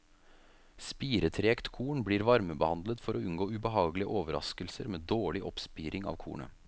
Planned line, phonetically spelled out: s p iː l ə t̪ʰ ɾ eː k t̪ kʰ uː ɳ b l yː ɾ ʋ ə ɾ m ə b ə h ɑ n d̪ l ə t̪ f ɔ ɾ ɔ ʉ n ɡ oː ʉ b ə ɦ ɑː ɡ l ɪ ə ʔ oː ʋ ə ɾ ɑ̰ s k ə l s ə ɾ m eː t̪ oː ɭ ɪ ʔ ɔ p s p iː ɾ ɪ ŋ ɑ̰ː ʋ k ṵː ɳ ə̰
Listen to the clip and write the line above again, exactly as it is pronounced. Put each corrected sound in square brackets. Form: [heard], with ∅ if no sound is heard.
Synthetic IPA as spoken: s p iː [ɾ] ə t̪ʰ ɾ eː k t̪ kʰ uː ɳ b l [iː] ɾ ʋ [ɑ] ɾ m ə b ə h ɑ n d̪ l ə t̪ f ɔ ɾ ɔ ʉ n ɡ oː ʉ b ə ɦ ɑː ɡ l ɪ ə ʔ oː ʋ ə ɾ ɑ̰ s k ə l s ə ɾ m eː [d̪] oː ɭ ɪ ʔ ɔ p s p iː ɾ ɪ ŋ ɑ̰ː ʋ [kʰ] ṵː ɳ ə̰

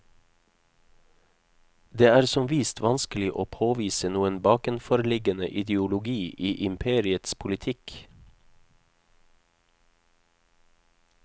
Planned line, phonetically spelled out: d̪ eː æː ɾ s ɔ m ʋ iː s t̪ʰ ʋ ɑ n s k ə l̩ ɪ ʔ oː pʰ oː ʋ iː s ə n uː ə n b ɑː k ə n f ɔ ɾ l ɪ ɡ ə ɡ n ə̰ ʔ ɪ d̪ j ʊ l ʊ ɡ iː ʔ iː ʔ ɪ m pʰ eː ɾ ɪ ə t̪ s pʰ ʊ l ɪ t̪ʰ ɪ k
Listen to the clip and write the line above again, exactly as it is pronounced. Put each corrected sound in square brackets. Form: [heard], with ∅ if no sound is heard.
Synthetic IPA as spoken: d̪ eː æː ɾ s ɔ m ʋ iː s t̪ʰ ʋ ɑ n s k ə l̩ ɪ ʔ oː pʰ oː ʋ iː s ə n uː ə n b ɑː k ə n f ɔ ɾ l ɪ ɡ ə [∅] n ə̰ ʔ ɪ d̪ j ʊ l ʊ ɡ iː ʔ iː ʔ ɪ m pʰ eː ɾ ɪ ə t̪ s pʰ ʊ l ɪ t̪ʰ ɪ k

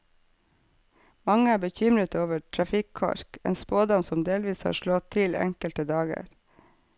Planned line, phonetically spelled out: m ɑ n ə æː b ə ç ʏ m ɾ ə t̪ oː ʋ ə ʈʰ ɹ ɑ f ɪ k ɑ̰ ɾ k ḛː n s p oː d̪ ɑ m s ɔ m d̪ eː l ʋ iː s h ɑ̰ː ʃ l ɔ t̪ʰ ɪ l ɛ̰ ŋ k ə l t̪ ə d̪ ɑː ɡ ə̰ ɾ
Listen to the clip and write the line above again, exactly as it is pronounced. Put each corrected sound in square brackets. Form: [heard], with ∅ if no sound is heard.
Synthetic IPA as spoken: m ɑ [ŋ] ə æː b ə ç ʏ m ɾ ə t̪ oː ʋ ə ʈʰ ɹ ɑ f ɪ [kʰ] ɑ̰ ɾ k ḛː n s p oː d̪ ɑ m s ɔ m d̪ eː l ʋ iː s h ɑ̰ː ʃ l ɔ t̪ʰ ɪ l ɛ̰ ŋ k ə l t̪ ə d̪ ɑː ɡ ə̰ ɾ

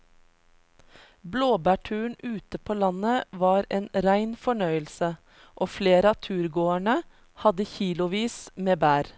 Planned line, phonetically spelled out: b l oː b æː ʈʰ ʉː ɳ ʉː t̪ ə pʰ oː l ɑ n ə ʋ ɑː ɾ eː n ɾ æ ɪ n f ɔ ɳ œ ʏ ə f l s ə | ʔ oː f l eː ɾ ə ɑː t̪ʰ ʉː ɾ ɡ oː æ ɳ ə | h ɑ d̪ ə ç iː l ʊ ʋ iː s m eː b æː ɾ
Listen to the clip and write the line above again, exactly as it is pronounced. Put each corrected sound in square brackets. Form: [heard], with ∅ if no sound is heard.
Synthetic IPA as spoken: b l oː b æː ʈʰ ʉː ɳ ʉː t̪ ə pʰ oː l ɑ n ə ʋ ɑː ɾ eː n ɾ æ ɪ n f ɔ ɳ œ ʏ ə [∅] l s ə | ʔ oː f l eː ɾ ə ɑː t̪ʰ ʉː ɾ ɡ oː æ ɳ ə | h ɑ d̪ ə ç iː l ʊ ʋ iː s m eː b æː ɾ

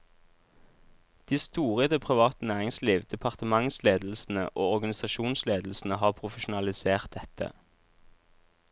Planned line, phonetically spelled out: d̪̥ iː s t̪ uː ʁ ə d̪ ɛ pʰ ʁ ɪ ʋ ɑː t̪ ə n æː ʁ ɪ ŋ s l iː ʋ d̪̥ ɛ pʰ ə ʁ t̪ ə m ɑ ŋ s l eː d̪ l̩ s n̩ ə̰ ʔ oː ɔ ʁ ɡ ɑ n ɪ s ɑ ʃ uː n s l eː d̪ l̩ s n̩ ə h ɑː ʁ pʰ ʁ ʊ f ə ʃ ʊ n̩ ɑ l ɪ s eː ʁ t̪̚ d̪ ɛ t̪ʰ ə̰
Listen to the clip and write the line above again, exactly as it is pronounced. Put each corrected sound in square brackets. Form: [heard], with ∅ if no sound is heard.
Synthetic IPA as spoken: d̪̥ iː s t̪ uː ʁ ə d̪ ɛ pʰ ʁ ɪ ʋ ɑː t̪ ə n æː ʁ ɪ ŋ s l iː ʋ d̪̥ ɛ pʰ [ɑ] ʁ t̪ ə m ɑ ŋ s l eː d̪ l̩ s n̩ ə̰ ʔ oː ɔ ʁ ɡ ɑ n ɪ s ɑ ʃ uː n s l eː d̪ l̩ s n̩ ə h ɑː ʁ pʰ ʁ ʊ f ə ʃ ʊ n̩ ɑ l ɪ s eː ʁ t̪̚ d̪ ɛ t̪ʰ ə̰

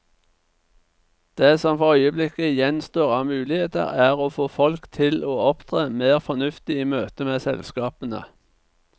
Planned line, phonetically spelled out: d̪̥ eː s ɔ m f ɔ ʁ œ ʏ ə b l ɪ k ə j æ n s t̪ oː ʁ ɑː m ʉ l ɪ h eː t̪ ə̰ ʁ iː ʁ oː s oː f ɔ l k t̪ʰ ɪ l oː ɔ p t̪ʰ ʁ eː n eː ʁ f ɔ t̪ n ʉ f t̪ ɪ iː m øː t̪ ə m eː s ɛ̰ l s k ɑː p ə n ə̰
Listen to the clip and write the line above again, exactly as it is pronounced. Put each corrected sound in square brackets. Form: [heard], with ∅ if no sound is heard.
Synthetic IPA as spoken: d̪̥ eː s ɔ m f ɔ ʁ œ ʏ ə b l ɪ k ə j [ɛ] n s t̪ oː ʁ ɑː m [ʉː] l ɪ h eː t̪ ə̰ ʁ [æː] ʁ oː [f] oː f ɔ l k t̪ʰ ɪ l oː ɔ p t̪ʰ ʁ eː [m] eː ʁ f ɔ [∅] n ʉ f t̪ ɪ iː m øː t̪ ə m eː s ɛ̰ l s k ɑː p ə n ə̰

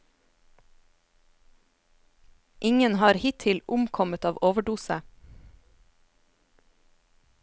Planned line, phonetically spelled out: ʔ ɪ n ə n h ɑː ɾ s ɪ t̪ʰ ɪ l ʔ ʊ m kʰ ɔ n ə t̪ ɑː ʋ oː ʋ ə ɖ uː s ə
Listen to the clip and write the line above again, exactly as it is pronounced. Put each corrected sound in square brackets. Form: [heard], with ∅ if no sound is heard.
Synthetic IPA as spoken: ʔ ɪ [ŋ] ə n h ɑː ɾ [h] ɪ t̪ʰ ɪ l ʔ ʊ m kʰ ɔ [m] ə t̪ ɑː ʋ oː ʋ ə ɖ uː s ə

